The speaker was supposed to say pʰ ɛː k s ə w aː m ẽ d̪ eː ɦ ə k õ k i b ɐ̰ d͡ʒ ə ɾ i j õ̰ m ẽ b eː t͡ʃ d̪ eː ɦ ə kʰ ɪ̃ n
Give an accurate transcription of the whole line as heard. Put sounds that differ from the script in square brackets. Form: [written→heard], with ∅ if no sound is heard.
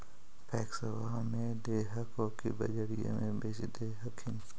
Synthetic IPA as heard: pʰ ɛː k s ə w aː m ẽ d̪ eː ɦ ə k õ k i b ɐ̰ d͡ʒ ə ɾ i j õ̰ m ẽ b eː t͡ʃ d̪ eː ɦ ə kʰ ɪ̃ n

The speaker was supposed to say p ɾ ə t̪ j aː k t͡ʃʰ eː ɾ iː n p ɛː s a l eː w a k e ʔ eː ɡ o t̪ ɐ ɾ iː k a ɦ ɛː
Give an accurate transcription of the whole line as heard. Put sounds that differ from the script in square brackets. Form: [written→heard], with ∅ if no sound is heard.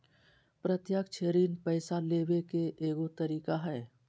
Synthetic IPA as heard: p ɾ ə t̪ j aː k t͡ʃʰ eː ɾ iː n p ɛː s a l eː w [a→e] k e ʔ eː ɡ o t̪ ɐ ɾ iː k a ɦ ɛː

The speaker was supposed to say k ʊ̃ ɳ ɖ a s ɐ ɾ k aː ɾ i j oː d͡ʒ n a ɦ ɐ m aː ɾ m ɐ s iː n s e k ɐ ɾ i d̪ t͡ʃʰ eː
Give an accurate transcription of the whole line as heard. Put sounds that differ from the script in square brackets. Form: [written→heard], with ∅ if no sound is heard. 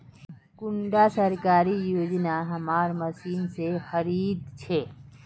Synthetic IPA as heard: k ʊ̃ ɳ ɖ a s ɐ ɾ k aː ɾ i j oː d͡ʒ n a ɦ ɐ m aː ɾ m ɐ s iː n s e [k→x] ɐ ɾ [i→iː] d̪ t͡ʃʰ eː

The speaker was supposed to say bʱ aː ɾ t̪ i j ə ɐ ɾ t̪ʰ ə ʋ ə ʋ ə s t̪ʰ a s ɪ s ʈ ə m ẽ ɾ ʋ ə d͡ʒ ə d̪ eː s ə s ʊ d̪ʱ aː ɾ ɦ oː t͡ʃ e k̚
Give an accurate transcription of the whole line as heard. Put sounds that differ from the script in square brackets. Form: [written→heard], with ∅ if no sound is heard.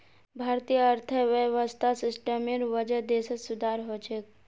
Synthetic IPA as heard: bʱ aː ɾ t̪ i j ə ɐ ɾ t̪ʰ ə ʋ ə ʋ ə s t̪ʰ a s ɪ s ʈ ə m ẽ ɾ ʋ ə d͡ʒ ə d̪ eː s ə s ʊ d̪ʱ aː ɾ ɦ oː t͡ʃ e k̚

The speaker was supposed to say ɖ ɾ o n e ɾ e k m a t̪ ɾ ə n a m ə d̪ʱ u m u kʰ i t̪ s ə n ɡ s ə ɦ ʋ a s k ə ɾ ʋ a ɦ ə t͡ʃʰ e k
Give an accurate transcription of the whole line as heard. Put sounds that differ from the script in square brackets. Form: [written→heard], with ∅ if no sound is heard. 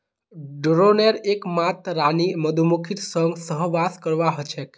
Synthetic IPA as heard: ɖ ɾ o n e ɾ e k m a t̪ ɾ [ə→a] n [a→i] m ə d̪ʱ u m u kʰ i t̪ s ə [n→ŋ] ɡ s ə ɦ ʋ a s k ə ɾ ʋ a ɦ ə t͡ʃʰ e k

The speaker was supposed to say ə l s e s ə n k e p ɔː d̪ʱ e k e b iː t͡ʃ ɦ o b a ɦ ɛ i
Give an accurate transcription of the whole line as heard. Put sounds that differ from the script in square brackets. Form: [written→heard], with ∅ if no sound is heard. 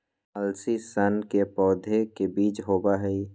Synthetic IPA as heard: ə l s [e→i] s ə n k e p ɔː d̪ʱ e k e b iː t͡ʃ ɦ o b a ɦ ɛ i

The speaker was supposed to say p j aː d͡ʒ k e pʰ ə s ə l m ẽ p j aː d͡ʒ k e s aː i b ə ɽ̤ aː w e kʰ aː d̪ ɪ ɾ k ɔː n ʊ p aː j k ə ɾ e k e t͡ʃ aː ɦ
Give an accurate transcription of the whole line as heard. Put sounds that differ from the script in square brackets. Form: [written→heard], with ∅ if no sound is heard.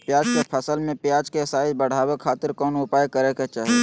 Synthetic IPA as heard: p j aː d͡ʒ k e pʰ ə s ə l m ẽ p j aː d͡ʒ k e s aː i b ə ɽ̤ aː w e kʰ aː [d̪→t̪] ɪ ɾ k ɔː n ʊ p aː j k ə ɾ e k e t͡ʃ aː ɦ

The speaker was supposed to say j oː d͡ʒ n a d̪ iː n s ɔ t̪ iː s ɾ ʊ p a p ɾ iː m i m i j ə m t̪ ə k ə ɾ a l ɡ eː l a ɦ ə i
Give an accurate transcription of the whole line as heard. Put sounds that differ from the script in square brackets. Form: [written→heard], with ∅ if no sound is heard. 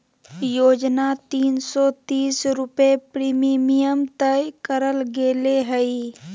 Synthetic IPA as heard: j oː d͡ʒ n a [d̪→t̪] iː n s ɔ t̪ iː s ɾ ʊ p [a→e] p ɾ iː m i m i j ə m t̪ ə k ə ɾ [a→ə] l ɡ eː l [a→e] ɦ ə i

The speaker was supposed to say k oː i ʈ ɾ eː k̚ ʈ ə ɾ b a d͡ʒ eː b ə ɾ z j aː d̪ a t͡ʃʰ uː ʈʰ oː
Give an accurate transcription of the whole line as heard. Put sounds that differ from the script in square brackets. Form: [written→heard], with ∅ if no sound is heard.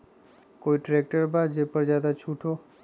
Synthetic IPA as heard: k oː i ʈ ɾ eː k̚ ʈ ə ɾ b a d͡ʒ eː [b→p] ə ɾ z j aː d̪ a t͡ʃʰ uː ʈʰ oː

